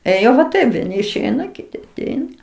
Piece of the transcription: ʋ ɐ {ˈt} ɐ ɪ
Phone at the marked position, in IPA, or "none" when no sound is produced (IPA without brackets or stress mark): t